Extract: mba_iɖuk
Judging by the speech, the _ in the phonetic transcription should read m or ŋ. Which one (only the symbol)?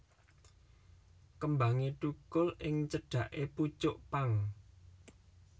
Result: ŋ